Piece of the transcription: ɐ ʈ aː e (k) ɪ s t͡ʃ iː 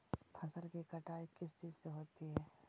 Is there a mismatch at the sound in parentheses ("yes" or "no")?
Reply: no